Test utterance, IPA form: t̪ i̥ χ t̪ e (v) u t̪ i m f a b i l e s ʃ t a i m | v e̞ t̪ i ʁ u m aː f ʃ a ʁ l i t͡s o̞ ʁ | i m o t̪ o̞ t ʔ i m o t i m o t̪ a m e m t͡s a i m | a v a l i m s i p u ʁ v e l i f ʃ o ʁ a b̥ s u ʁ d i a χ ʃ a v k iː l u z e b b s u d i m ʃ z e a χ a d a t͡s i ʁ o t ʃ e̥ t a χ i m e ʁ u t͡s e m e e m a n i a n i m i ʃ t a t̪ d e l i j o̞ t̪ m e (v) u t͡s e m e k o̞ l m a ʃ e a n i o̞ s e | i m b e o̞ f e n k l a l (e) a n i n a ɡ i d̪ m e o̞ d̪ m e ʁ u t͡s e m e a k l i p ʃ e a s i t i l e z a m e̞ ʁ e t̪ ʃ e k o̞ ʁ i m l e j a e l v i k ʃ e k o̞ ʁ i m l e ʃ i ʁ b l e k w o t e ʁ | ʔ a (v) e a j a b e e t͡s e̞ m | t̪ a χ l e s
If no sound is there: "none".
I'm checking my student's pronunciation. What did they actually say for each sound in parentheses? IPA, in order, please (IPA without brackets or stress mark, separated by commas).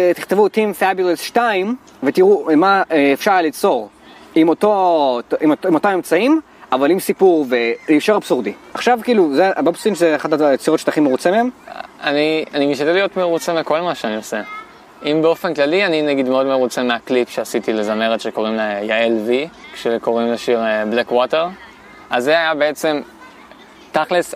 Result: v, ʁ, i, z